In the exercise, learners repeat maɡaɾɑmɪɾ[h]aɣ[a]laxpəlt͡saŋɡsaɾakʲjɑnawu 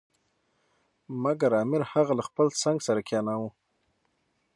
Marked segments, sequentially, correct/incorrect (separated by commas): correct, correct